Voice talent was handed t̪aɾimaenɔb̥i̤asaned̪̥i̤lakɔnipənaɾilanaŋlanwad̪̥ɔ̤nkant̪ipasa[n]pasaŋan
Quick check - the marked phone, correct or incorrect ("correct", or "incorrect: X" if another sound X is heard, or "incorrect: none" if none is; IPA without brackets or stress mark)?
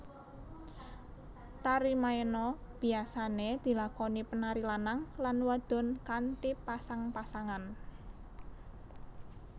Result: incorrect: ŋ